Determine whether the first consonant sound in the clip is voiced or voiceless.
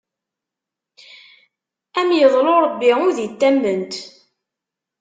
voiced